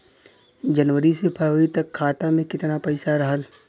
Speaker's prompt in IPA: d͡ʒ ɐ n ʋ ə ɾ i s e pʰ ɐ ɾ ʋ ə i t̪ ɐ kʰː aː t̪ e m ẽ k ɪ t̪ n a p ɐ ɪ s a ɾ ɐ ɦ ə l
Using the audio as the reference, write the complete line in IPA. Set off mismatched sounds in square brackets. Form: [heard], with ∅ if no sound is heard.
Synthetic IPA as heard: d͡ʒ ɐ n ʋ ə ɾ i s e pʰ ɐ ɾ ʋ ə i t̪ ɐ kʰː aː t̪ [a] m ẽ k ɪ t̪ n a p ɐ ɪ s a ɾ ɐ ɦ ə l